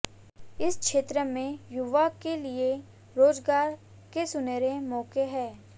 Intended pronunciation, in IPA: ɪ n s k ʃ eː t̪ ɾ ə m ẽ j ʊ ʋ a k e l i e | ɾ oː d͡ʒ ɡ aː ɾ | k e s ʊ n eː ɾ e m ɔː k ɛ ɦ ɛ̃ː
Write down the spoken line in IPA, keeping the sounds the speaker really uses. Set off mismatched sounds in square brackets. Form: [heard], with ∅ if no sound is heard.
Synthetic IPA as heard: ɪ [∅] s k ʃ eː t̪ ɾ ə m ẽ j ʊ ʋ a k e l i e | ɾ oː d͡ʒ ɡ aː ɾ | k e s ʊ n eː ɾ e m ɔː k [e] ɦ [ɛː]